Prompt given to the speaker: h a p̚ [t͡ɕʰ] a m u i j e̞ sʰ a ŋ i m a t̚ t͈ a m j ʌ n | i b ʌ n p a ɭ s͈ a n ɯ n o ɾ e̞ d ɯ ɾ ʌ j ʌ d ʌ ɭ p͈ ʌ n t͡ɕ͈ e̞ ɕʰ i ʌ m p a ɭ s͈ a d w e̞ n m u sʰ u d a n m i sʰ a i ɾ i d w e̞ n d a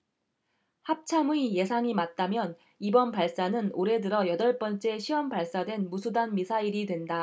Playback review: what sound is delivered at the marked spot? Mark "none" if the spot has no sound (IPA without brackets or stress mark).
t͡ɕʰ